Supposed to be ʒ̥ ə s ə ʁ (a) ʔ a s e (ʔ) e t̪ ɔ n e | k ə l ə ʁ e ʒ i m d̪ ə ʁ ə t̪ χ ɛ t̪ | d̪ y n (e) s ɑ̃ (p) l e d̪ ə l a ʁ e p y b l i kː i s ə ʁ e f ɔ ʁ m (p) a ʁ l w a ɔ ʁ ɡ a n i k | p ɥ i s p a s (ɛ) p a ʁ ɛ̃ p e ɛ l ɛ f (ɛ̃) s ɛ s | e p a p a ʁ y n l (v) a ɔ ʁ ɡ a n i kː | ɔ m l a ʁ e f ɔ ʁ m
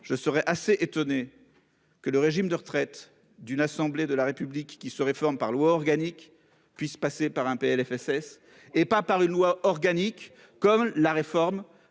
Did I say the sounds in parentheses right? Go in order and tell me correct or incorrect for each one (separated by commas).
incorrect, correct, incorrect, incorrect, correct, incorrect, incorrect, incorrect